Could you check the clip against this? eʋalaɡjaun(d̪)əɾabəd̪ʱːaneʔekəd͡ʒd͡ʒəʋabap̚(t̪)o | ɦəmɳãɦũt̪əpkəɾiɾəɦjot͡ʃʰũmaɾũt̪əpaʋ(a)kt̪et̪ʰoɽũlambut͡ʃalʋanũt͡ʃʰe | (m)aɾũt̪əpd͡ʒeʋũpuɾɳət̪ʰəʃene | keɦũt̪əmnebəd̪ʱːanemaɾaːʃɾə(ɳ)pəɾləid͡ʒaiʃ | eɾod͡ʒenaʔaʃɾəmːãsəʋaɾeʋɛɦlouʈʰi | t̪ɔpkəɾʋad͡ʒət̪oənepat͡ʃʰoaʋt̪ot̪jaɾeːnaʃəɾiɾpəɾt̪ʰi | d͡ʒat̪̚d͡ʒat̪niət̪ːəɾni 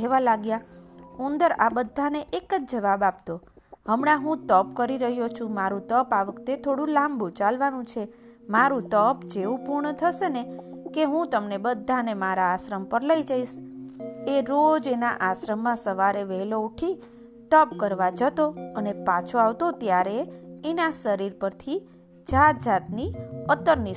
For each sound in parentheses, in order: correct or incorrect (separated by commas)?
correct, correct, incorrect, correct, incorrect